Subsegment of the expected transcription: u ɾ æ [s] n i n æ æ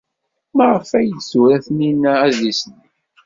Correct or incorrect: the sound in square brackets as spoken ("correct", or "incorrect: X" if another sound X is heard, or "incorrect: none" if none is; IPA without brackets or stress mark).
incorrect: θ